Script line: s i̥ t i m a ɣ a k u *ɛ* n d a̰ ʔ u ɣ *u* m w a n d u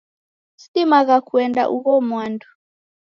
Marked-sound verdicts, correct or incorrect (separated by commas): correct, incorrect